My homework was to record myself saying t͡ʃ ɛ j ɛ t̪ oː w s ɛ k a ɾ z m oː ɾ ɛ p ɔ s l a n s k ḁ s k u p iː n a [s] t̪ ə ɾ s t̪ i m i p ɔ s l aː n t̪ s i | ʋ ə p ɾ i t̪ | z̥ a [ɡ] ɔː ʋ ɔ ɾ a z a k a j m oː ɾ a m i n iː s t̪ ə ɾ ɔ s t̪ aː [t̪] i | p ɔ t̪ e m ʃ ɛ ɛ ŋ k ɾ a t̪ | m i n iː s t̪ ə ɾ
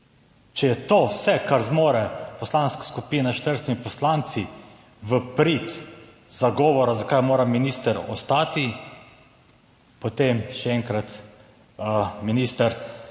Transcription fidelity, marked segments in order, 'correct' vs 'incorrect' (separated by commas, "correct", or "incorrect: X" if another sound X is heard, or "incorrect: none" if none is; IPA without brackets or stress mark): incorrect: ʃ, correct, correct